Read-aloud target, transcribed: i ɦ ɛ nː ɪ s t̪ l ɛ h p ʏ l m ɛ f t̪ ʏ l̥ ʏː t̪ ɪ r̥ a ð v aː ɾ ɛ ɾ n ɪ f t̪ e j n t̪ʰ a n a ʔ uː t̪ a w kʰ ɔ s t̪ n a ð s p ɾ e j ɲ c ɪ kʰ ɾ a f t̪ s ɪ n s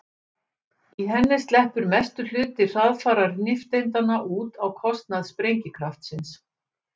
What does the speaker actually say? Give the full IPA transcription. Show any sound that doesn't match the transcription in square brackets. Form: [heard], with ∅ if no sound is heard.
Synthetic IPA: i ɦ ɛ nː ɪ s t̪ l ɛ h p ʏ [ɾ] m ɛ [s] t̪ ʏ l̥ ʏː t̪ ɪ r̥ a ð [f] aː ɾ [a] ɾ n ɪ f t̪ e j n [t̪] a n a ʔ uː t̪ a w kʰ ɔ s t̪ n a ð s p ɾ e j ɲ c ɪ kʰ ɾ a f t̪ s ɪ n s